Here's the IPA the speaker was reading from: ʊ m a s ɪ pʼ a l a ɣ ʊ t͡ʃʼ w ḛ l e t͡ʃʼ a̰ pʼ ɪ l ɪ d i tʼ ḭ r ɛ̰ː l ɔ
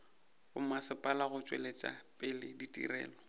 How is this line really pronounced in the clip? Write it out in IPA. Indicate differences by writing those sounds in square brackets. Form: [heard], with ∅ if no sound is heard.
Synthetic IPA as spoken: ʊ m a s ɪ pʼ a l a ɣ ʊ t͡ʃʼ w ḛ l e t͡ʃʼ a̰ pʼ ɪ l ɪ d i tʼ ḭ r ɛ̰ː l ɔ